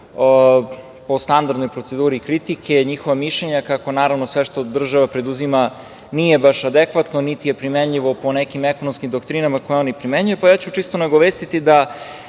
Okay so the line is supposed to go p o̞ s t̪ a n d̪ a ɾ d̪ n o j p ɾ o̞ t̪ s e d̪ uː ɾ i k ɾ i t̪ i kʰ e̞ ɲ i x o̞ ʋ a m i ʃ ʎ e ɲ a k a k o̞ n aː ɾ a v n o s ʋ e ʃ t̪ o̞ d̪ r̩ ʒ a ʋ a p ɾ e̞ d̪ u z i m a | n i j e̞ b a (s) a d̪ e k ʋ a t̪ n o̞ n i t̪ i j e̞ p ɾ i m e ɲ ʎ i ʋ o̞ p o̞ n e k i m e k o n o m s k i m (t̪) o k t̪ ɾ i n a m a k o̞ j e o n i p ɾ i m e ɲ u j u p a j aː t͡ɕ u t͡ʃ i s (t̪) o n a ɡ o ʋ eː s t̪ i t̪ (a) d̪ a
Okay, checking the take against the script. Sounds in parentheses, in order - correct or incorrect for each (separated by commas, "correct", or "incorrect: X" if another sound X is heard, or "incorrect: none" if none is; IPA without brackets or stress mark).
incorrect: ʃ, incorrect: d̪, correct, incorrect: i